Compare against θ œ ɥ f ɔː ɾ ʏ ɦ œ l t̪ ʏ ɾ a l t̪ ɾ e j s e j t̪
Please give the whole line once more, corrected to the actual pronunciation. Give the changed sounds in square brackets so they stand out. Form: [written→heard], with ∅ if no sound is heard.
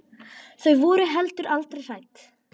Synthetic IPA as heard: θ œ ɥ [f→v] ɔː ɾ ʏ ɦ [œ→ɛ] l t̪ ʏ ɾ a l t̪ ɾ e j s [e→a] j t̪